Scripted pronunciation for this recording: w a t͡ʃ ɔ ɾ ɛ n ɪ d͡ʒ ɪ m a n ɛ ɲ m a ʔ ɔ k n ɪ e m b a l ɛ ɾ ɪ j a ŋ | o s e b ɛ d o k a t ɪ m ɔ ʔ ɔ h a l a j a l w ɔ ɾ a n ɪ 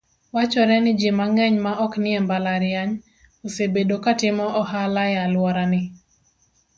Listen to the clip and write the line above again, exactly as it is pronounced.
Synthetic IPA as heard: w a t͡ʃ ɔ ɾ ɛ n ɪ d͡ʒ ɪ m a ŋ ɛ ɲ m a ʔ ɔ k n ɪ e m b a l a ɾ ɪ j a ɲ | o s e b e d o k a t ɪ m ɔ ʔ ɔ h a l a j a l w ɔ ɾ a n ɪ